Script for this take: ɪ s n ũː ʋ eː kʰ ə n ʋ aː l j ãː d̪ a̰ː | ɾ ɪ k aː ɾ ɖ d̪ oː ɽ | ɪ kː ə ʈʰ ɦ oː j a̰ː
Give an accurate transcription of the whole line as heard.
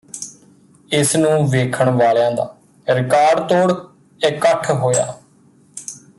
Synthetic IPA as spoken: ɪ s n ũː ʋ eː kʰ ə ɳ ʋ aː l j ãː d̪ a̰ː | ɾ ɪ k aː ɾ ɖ t̪ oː ɽ | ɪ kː ə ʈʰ ɦ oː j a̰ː